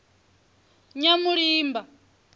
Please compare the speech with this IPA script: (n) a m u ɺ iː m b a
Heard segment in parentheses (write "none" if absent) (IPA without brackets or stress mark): ɲ